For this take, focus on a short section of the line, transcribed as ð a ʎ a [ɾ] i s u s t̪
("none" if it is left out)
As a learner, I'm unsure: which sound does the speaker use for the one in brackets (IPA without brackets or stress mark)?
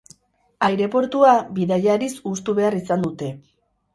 ɾ